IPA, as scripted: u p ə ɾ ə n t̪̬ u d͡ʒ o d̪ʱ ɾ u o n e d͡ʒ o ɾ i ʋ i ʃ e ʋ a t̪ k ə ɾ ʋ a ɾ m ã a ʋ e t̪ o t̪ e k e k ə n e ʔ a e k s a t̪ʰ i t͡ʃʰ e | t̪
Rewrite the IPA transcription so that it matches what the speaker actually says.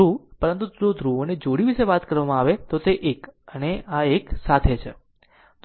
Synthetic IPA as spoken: u p ə ɾ ə n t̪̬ u d͡ʒ o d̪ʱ ɾ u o n e d͡ʒ o ɽ i ʋ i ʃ e ʋ a t̪ k ə ɾ ʋ a m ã a ʋ e t̪ o t̪ e ʔ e k ə n e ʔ a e k s a t̪ʰ e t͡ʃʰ e | t̪